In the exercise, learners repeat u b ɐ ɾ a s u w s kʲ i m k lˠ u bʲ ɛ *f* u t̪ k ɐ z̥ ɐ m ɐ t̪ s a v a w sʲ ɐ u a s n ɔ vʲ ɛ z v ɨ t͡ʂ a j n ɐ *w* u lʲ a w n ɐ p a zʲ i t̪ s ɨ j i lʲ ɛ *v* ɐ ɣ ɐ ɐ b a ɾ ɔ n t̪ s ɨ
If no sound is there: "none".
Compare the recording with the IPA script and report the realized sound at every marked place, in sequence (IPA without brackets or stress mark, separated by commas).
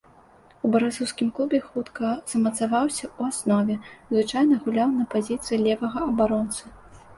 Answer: x, ɣ, v